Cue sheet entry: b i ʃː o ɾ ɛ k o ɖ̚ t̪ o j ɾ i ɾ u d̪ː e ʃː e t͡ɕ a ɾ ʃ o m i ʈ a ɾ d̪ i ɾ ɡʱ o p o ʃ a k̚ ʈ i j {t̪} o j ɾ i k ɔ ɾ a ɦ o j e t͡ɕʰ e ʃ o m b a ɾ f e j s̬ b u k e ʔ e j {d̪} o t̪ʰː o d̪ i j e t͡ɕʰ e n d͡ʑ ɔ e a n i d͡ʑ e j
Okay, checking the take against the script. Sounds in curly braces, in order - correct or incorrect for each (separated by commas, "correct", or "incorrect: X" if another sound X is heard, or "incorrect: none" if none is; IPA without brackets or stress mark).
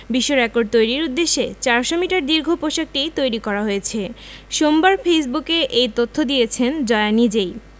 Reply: correct, incorrect: t̪